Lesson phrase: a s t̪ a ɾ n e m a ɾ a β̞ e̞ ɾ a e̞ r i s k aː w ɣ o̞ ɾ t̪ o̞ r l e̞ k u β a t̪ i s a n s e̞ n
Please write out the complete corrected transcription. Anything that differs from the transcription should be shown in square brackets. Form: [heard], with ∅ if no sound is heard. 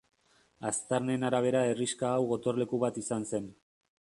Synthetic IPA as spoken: a s t̪ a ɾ n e [n] a ɾ a β̞ e̞ ɾ a e̞ r i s k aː w ɣ o̞ [∅] t̪ o̞ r l e̞ k u β a t̪ i s a n s e̞ n